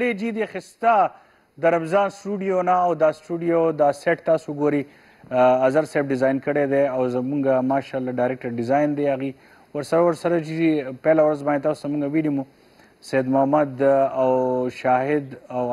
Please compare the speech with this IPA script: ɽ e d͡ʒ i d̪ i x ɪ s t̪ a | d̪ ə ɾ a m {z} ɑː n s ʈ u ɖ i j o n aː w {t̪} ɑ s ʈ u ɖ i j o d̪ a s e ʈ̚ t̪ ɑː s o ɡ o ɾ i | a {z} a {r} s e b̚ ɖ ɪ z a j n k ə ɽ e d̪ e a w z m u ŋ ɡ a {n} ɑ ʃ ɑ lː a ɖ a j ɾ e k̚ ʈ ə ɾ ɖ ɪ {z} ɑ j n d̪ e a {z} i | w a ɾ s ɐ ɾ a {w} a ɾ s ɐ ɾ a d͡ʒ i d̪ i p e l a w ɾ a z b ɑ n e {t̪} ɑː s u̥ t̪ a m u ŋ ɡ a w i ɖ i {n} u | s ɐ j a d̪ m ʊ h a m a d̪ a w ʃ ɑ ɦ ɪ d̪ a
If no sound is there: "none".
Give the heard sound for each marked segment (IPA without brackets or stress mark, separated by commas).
z, d̪, z, ɾ, m, z, ɣ, w, t̪, m